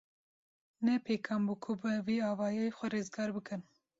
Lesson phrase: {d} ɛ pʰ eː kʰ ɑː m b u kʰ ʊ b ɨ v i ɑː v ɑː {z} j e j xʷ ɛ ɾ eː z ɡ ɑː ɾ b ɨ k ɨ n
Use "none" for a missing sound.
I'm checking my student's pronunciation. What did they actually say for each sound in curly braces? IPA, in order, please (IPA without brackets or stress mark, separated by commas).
n, none